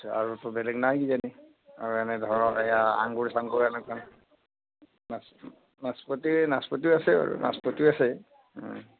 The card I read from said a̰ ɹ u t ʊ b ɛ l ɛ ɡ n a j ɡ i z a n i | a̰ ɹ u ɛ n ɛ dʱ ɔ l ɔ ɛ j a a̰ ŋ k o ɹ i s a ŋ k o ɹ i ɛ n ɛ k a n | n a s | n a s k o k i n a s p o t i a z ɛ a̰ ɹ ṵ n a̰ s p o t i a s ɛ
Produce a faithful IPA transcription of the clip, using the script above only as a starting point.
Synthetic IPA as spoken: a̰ ɹ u t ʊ b ɛ l ɛ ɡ n a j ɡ i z a n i | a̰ ɹ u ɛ n ɛ dʱ ɔ ɹ ɔ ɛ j a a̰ ŋ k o ɹ i s a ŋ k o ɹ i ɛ n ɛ k a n | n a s | n a s p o t i n a s p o t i a s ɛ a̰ ɹ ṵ n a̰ s p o t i a s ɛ